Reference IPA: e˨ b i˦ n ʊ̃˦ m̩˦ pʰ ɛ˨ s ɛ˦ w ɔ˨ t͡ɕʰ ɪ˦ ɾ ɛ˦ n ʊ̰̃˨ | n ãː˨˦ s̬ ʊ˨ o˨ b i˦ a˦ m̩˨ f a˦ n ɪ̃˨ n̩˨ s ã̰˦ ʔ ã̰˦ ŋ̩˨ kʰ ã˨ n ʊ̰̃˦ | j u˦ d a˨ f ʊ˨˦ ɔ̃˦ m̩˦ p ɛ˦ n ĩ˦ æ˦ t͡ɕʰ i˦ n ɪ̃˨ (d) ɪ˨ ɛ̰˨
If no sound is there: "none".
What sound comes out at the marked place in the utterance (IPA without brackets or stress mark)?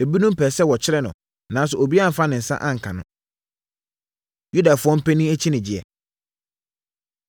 d͡ʑ